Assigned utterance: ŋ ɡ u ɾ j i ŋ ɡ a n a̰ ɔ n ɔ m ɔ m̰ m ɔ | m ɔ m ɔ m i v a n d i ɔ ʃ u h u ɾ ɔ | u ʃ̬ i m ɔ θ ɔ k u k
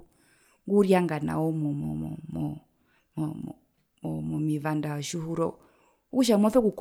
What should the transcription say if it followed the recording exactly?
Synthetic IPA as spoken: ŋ ɡ u ɾ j a ŋ ɡ a n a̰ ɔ m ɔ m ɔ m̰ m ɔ | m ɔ m ɔ m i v a n d a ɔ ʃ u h u ɾ ɔ | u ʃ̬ a m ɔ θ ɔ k u k

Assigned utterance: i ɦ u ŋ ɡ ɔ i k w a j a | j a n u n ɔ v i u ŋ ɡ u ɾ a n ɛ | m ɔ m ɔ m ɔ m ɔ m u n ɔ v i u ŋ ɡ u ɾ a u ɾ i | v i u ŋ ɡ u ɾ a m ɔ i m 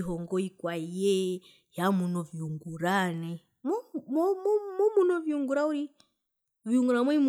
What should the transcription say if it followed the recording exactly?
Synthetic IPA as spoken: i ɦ ɔ ŋ ɡ ɔ i k w a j ɛ | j a m u n ɔ v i u ŋ ɡ u ɾ a n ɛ | m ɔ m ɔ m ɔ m ɔ m u n ɔ v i u ŋ ɡ u ɾ a u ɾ i | v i u ŋ ɡ u ɾ a m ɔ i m

